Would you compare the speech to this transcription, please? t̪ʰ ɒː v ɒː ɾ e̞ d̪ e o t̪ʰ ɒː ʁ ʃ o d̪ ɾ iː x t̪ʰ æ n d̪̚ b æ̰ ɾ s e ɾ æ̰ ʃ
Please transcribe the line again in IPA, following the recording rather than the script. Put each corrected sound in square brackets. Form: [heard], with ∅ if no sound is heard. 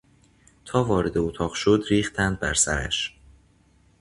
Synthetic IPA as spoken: t̪ʰ ɒː v ɒː ɾ e̞ d̪ e o t̪ʰ ɒː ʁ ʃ o d̪ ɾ iː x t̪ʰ æ n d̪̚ b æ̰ ɾ s [æ] ɾ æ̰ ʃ